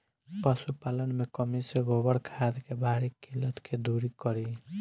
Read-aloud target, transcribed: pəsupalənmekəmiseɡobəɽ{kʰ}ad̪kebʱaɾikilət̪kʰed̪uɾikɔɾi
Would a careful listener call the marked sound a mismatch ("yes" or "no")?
no